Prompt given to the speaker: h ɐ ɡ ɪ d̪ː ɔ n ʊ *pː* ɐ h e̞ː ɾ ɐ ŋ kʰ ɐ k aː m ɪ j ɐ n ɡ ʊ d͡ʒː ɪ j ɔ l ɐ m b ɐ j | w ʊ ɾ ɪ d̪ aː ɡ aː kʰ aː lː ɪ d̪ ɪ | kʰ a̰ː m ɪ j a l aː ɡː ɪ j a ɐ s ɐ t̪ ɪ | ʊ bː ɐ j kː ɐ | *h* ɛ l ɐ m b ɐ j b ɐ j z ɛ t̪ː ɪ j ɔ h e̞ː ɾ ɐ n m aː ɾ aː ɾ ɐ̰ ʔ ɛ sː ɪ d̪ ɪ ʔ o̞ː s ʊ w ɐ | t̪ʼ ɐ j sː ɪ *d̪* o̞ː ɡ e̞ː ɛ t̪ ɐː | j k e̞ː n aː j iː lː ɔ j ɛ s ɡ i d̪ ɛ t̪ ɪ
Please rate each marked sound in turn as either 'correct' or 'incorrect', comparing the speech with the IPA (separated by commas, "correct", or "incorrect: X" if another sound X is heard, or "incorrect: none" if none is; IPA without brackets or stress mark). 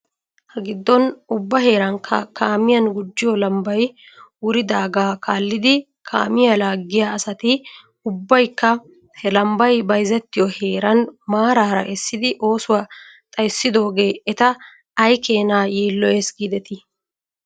incorrect: bː, correct, correct